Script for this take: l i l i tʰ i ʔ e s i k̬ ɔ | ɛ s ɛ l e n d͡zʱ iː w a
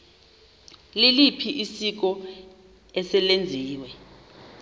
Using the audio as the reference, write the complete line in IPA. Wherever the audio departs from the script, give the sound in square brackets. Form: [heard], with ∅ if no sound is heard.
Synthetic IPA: l i l i [pʰ] i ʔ [i] s i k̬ ɔ | ɛ s ɛ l e n d͡zʱ iː w [ɛ]